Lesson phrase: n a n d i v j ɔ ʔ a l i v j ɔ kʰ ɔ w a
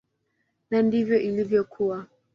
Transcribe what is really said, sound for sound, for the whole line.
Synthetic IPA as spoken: n a n d i v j ɔ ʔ i l i v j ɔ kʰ u w a

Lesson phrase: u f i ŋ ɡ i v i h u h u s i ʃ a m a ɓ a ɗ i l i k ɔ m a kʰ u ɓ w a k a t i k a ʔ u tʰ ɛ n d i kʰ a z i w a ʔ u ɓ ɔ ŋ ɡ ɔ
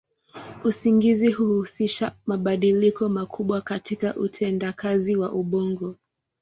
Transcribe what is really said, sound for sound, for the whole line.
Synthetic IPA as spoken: u s i ŋ ɡ i z i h u h u s i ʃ a m a ɓ a ɗ i l i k ɔ m a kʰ u ɓ w a k a t i k a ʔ u tʰ ɛ n d a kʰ a z i w a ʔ u ɓ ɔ ŋ ɡ ɔ

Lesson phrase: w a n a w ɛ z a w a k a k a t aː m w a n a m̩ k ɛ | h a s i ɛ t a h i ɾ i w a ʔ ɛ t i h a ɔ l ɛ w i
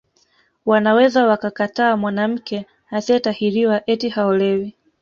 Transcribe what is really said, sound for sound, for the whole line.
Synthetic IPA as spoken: w a n a w ɛ z a w a k a k a t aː m w a n a m̩ k ɛ | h a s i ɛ t a h i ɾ i w a ʔ ɛ t i h a ɔ l ɛ w i

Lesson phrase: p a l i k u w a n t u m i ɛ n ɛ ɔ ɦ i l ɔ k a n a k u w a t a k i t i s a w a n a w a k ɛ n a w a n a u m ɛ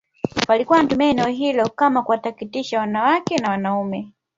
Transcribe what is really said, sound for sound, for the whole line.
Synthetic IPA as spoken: p a l i k u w a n t u m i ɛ n ɛ ɔ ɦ i l ɔ k a m a k u w a t a k i t i ʃ a w a n a w a k ɛ n a w a n a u m ɛ

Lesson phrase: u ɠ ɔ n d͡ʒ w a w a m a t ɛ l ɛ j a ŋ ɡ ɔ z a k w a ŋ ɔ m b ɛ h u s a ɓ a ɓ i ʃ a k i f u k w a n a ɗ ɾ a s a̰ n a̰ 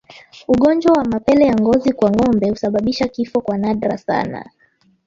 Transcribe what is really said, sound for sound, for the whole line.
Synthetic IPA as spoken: u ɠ ɔ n d͡ʒ w a w a m a p ɛ l ɛ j a ŋ ɡ ɔ z i k w a ŋ ɔ m b ɛ h u s a ɓ a ɓ i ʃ a k i f ɔ k w a n a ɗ ɾ a s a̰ n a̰

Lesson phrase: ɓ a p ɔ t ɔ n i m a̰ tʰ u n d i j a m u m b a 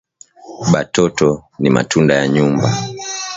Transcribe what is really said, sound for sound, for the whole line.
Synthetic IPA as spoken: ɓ a t ɔ t ɔ n i m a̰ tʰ u n d a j a ɲ u m b a

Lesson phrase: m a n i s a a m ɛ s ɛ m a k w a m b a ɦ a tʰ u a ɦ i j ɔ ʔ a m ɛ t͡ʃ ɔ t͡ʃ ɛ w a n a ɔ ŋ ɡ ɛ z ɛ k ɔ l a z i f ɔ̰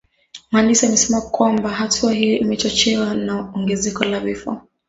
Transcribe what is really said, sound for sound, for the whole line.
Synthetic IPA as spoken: m a n i s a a m ɛ s ɛ m a k w a m b a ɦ a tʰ u a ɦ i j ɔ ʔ i m ɛ t͡ʃ ɔ t͡ʃ ɛ w a n a ɔ ŋ ɡ ɛ z ɛ k ɔ l a v i f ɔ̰

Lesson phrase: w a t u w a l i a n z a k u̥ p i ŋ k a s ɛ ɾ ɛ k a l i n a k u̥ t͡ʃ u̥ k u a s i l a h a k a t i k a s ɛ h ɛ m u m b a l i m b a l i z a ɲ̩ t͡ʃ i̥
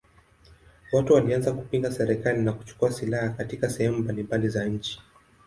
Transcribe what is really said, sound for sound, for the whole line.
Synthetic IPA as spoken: w a t u w a l i a n z a k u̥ p i ŋ ɡ a s ɛ ɾ ɛ k a l i n a k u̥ t͡ʃ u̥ k u a s i l a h a k a t i k a s ɛ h ɛ m u m b a l i m b a l i z a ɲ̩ t͡ʃ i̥

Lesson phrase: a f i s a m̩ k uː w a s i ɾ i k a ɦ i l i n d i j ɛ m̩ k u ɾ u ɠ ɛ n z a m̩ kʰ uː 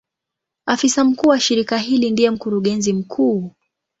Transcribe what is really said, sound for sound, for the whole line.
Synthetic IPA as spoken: a f i s a m̩ k uː w a ʃ i ɾ i k a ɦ i l i n d i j ɛ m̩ k u ɾ u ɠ ɛ n z i m̩ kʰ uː

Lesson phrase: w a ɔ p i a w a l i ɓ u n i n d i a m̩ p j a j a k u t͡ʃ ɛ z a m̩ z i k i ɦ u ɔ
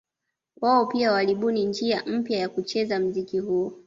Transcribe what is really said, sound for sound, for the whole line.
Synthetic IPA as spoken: w a ɔ p i a w a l i ɓ u n i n d͡ʒ i a m̩ p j a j a k u t͡ʃ ɛ z a m̩ z i k i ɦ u ɔ

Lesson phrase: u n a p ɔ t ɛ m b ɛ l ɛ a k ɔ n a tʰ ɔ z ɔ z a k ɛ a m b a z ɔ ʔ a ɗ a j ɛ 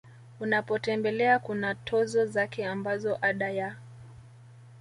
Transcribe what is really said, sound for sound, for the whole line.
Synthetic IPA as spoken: u n a p ɔ t ɛ m b ɛ l ɛ a k u n a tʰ ɔ z ɔ z a k ɛ a m b a z ɔ ʔ a ɗ a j a

